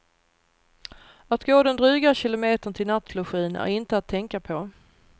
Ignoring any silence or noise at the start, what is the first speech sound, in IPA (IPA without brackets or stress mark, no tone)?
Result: a